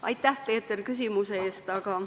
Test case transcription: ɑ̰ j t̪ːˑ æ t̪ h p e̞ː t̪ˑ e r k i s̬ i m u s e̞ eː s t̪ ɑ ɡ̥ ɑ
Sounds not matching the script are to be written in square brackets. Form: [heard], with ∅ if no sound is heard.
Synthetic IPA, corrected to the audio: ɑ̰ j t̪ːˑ æ [∅] h p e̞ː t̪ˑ e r k [y] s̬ i m u s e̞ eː s t̪ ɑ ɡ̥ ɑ